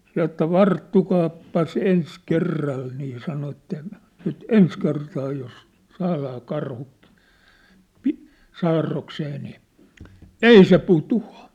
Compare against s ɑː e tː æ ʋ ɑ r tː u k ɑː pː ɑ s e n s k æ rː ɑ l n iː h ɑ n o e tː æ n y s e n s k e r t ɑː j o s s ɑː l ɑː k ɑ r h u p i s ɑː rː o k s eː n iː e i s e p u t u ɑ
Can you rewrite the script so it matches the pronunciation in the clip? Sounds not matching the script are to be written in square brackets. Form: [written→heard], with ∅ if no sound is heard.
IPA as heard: s [ɑː→ɑ] e tː æ ʋ ɑ r tː u k ɑː pː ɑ s e n s k [æ→e] rː ɑ l n iː [h→s] ɑ n o e tː æ n y [s→t] e n s k e r t ɑː j o s s ɑː l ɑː k ɑ r h u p i s ɑː rː o k s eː n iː e i s e p u t u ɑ